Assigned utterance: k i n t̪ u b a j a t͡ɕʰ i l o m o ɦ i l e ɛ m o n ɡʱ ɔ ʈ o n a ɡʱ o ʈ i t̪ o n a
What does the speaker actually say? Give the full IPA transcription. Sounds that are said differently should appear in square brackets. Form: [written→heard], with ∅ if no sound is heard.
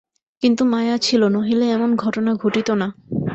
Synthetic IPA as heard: k i n t̪ u [b→m] a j a t͡ɕʰ i l o [m→n] o ɦ i l e ɛ m o n ɡʱ ɔ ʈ o n a ɡʱ o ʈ i t̪ o n a